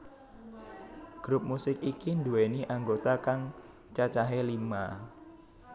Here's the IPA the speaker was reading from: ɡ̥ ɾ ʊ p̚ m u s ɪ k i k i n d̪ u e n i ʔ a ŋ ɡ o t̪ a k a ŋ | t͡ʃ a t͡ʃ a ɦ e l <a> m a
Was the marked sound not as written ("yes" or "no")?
yes